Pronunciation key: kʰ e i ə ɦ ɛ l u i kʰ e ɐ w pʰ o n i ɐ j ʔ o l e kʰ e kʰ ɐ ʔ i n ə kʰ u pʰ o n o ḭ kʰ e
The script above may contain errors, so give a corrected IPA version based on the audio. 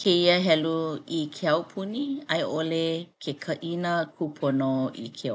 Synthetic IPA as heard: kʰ e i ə ɦ ɛ l u i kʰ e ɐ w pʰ u n i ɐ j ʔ o l e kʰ e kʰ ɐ ʔ i n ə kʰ u pʰ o n o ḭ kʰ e